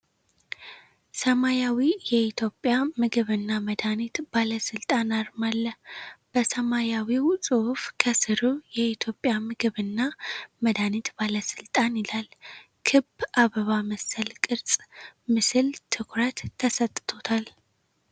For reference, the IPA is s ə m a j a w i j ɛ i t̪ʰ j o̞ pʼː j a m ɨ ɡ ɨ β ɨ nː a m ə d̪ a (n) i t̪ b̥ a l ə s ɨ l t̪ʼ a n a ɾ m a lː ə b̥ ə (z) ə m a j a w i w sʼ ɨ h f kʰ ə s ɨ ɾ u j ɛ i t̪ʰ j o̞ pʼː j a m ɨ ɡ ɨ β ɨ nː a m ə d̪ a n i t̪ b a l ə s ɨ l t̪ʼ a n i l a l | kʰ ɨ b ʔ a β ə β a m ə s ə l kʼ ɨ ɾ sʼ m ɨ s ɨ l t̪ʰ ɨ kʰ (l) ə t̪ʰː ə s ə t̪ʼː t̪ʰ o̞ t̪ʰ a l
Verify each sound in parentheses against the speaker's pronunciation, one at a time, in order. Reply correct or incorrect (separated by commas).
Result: correct, incorrect, incorrect